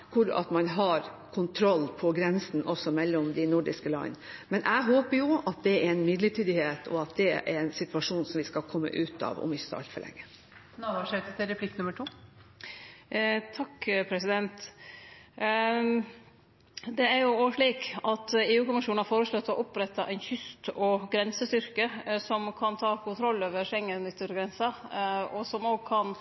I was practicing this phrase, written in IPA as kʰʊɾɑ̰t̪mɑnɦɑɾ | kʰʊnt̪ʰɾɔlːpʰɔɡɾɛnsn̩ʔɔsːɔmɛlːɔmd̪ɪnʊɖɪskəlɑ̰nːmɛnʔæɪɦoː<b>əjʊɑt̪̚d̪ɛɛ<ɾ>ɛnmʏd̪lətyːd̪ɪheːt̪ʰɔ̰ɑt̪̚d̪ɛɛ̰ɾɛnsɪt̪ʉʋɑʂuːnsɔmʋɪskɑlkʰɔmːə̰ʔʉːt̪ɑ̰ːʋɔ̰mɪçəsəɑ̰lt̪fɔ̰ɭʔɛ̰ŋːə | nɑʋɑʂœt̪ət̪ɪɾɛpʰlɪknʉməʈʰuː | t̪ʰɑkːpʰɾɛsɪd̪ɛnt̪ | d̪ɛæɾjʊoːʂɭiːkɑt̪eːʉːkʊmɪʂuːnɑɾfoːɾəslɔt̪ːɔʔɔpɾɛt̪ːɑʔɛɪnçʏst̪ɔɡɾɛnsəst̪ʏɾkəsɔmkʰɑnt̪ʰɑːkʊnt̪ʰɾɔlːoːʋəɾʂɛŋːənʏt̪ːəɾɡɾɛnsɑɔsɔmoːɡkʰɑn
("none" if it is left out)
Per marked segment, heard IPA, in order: p, ɾ

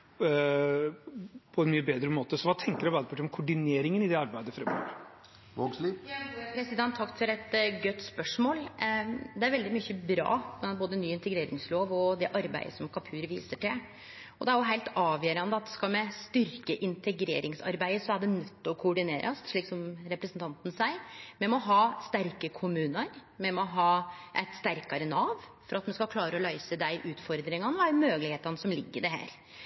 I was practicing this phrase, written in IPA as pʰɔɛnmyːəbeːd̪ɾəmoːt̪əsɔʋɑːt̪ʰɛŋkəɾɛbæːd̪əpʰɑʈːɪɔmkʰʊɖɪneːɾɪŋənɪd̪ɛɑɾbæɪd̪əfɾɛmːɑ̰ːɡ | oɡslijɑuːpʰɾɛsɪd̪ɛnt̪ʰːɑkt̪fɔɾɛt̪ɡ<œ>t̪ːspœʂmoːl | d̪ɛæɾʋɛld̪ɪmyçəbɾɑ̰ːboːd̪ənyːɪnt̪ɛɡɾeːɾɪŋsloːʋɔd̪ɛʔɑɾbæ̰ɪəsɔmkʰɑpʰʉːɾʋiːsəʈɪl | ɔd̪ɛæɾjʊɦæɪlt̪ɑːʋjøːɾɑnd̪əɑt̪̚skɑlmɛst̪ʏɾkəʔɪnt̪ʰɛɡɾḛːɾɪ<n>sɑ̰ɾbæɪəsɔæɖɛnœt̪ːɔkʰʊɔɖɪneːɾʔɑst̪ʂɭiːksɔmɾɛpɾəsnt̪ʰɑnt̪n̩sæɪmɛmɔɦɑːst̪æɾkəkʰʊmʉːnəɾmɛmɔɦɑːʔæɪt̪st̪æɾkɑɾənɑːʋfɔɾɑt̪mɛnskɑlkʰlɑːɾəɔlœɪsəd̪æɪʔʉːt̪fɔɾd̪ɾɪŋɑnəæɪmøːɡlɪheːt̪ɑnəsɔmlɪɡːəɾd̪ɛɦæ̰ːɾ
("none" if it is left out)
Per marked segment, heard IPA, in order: œ, ŋ

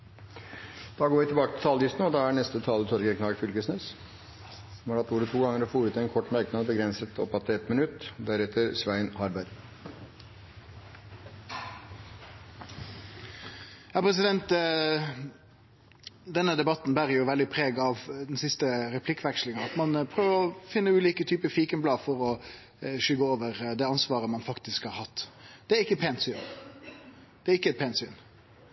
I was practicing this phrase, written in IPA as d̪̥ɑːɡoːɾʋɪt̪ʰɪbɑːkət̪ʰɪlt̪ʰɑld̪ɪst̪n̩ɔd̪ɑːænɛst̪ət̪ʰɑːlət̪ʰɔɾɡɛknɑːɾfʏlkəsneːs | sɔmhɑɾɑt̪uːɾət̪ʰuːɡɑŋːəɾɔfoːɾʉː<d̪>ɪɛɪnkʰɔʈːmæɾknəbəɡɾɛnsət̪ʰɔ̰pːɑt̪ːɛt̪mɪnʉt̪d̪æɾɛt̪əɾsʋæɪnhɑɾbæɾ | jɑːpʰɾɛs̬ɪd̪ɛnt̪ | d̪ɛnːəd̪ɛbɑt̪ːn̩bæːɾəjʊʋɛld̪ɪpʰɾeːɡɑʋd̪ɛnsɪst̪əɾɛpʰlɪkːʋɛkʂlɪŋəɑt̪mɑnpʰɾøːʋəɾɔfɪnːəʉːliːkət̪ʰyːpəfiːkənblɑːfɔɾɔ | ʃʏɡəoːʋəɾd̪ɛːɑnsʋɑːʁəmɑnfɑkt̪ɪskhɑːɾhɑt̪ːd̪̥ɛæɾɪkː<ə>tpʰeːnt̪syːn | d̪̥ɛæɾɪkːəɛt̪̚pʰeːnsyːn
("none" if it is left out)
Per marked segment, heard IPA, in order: t̪, ə

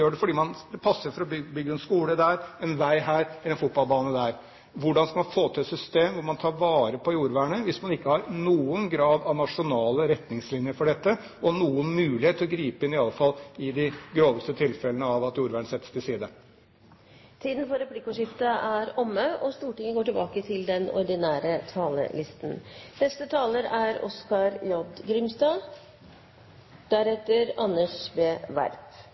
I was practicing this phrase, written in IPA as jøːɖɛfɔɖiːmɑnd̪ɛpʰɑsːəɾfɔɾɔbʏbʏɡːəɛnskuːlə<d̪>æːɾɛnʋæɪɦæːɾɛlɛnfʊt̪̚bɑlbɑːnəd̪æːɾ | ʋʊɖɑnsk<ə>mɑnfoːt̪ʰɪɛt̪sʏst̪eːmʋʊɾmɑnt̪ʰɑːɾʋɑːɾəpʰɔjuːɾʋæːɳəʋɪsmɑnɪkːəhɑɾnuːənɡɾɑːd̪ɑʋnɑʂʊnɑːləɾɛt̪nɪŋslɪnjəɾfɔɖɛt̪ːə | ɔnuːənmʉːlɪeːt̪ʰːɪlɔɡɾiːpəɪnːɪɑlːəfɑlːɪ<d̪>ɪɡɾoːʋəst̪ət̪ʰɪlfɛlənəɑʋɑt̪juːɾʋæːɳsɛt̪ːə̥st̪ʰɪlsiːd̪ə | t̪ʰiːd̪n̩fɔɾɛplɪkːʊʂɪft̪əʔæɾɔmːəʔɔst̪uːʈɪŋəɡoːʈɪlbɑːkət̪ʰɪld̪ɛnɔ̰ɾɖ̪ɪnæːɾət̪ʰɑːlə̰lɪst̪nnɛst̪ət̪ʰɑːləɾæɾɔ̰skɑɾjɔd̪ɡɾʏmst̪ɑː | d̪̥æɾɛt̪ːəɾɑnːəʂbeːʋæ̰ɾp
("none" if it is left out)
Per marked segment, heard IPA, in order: d̪, ɑ, d̪

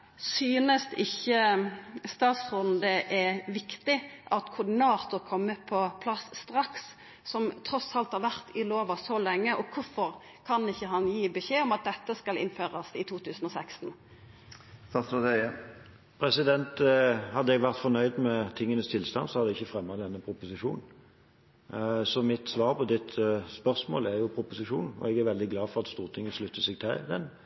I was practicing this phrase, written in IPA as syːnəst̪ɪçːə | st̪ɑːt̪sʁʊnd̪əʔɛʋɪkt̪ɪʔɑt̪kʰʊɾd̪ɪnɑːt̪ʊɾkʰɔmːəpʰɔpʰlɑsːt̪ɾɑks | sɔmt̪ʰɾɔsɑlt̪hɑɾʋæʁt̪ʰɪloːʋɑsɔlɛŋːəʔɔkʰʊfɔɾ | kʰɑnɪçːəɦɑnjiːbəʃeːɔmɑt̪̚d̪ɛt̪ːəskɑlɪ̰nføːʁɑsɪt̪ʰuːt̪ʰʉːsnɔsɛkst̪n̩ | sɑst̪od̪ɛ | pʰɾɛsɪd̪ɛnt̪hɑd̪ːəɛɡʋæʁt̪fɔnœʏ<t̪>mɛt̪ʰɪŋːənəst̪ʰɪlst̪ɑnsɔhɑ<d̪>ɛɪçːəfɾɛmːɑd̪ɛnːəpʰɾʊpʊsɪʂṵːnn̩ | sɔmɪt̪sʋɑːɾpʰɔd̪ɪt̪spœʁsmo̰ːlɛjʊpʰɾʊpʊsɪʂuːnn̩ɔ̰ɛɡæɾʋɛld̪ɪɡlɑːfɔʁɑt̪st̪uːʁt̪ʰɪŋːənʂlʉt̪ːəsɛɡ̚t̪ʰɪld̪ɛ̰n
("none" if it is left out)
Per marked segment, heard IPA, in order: d̪, d̪

